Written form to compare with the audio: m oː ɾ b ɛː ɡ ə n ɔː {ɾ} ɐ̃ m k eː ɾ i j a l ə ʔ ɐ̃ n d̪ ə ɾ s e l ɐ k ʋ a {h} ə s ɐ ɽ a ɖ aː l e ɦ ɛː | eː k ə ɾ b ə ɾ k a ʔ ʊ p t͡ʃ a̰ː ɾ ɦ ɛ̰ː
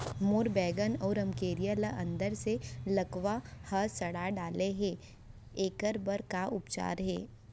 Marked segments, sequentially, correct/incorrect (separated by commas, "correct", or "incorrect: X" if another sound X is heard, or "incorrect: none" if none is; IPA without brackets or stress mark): correct, correct